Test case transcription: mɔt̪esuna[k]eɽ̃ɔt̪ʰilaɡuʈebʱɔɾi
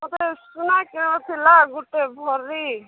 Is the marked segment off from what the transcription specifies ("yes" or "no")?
no